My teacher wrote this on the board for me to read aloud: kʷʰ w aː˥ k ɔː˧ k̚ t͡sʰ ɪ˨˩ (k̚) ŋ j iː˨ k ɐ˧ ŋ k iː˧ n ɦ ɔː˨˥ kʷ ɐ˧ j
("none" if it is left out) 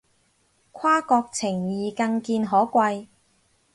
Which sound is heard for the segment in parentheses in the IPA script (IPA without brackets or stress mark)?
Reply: none